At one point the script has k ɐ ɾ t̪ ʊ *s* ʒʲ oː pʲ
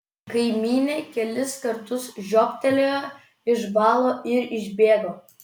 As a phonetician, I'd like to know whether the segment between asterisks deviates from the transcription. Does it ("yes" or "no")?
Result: no